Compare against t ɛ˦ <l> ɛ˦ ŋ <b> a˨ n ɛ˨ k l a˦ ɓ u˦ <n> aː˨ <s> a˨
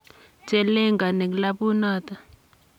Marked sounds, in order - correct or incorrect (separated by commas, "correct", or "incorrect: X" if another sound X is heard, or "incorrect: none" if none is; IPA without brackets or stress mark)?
correct, incorrect: ɡ, correct, incorrect: t